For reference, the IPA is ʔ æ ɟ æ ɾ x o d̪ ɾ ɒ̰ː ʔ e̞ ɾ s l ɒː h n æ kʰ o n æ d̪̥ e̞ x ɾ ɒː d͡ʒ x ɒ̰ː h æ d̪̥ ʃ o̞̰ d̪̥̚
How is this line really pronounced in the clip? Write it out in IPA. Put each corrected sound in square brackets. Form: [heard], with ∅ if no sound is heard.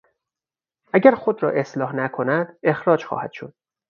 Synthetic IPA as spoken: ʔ æ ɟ æ ɾ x o d̪ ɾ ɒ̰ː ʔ e̞ [∅] s l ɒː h n æ kʰ o n æ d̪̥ e̞ x ɾ ɒː d͡ʒ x ɒ̰ː h æ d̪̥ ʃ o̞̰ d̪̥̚